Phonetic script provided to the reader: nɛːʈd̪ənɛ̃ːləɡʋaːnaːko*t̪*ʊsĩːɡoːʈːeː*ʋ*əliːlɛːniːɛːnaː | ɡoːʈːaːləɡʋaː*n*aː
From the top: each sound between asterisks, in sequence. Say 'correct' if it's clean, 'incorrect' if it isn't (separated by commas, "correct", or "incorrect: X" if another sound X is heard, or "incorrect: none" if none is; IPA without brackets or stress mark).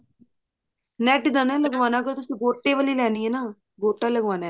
correct, correct, correct